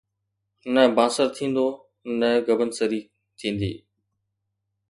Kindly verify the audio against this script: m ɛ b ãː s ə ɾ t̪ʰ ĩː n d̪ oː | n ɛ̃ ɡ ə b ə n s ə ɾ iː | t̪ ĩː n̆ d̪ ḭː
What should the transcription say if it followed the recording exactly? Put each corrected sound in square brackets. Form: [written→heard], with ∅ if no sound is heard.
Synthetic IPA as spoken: [m→n] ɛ b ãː s ə ɾ t̪ʰ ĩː n d̪ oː | n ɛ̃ ɡ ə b ə n s ə ɾ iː | [t̪→t̪ʰ] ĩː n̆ d̪ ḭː